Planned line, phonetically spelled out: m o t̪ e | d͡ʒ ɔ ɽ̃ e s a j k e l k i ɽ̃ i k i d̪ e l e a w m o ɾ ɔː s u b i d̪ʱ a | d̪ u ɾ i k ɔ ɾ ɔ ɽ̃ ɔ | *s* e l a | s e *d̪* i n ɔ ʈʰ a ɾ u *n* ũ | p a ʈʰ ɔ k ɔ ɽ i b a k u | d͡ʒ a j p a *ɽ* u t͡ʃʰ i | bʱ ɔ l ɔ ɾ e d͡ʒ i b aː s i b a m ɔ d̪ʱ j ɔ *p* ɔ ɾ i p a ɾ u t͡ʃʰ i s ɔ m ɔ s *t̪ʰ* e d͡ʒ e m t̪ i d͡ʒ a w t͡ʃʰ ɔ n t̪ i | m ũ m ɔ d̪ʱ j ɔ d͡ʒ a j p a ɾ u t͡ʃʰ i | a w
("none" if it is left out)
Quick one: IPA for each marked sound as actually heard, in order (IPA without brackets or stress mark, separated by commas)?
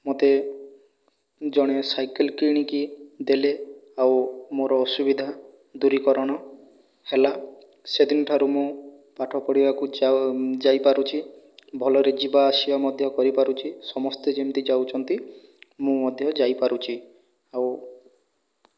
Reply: h, d̪, m, ɾ, k, t̪